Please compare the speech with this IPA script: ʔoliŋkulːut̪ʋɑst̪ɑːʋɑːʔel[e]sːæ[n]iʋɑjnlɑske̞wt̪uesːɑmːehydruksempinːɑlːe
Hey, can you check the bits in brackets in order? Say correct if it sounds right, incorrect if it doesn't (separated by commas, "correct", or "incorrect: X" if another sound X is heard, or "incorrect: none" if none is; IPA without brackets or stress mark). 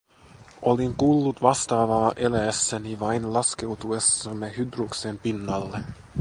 incorrect: æ, correct